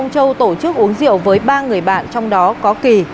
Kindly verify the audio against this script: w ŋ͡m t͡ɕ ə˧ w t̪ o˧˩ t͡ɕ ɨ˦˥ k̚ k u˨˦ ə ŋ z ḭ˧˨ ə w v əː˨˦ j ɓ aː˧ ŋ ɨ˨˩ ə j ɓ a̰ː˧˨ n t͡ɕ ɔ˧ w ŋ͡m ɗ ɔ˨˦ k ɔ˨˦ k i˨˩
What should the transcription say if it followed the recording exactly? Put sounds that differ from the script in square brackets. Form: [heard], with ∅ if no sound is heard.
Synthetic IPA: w ŋ͡m t͡ɕ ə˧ w t̪ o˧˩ t͡ɕ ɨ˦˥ k̚ [ʔ] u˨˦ ə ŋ z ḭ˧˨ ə w v əː˨˦ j ɓ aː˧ ŋ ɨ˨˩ ə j ɓ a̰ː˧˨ n t͡ɕ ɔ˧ w ŋ͡m ɗ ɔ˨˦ k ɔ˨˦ k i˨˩